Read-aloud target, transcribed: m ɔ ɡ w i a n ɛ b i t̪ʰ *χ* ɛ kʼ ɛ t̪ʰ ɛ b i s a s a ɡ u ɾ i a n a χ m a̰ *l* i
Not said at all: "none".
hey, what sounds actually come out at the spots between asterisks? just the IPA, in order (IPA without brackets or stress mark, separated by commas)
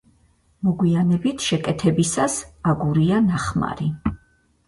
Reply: ʃ, ɾ